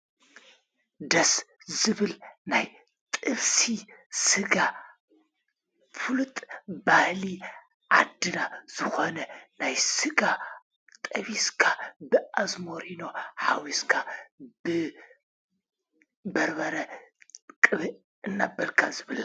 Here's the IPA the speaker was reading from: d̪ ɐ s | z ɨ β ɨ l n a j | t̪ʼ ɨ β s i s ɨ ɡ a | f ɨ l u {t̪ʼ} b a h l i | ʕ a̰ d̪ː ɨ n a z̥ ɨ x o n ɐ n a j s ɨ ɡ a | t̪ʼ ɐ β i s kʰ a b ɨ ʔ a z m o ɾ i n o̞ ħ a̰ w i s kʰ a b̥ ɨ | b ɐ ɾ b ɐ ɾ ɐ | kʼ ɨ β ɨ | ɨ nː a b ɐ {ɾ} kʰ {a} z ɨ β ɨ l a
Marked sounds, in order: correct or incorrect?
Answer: correct, incorrect, correct

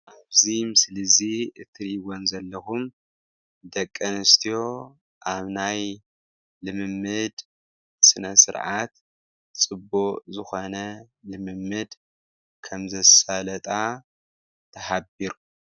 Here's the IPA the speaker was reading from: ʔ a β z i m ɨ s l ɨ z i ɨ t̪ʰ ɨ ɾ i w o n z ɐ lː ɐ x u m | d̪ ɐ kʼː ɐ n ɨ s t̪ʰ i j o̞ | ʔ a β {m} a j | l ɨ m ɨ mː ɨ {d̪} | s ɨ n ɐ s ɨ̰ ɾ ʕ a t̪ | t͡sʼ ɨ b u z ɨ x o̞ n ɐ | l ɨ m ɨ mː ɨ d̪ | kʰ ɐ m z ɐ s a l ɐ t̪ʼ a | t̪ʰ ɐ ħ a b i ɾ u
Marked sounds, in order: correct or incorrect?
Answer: incorrect, correct

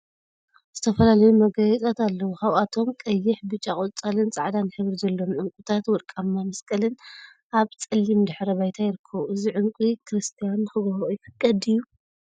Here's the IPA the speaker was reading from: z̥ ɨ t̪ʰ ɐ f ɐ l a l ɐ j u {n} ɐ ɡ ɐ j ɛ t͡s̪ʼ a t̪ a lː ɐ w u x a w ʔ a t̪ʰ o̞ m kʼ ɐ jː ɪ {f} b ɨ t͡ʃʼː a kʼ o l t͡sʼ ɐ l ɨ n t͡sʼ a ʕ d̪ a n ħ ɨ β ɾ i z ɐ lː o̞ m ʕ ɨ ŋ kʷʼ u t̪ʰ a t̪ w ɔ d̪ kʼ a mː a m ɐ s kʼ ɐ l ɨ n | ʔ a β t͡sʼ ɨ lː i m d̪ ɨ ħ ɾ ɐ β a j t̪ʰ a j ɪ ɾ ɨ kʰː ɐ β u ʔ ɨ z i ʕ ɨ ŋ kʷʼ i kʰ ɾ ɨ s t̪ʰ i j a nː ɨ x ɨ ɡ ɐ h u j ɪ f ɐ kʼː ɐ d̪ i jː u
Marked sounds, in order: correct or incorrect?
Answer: incorrect, incorrect

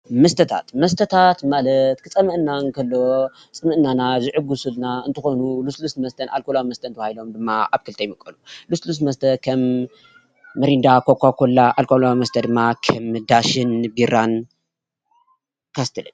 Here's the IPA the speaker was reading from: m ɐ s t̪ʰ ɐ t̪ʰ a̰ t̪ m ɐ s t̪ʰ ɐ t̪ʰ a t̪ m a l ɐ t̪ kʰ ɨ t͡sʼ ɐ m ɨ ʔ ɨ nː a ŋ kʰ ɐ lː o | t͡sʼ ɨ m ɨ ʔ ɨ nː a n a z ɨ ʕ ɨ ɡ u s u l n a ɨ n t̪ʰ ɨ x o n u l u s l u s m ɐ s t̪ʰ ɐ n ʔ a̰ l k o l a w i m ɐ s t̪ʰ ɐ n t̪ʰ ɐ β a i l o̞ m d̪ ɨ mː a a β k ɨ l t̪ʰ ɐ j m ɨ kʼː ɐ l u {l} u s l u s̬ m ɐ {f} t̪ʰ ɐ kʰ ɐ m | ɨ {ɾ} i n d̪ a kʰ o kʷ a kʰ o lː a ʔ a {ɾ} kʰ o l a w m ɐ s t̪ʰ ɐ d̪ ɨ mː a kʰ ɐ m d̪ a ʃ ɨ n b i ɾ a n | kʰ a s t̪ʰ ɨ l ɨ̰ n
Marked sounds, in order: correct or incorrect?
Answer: correct, incorrect, correct, incorrect

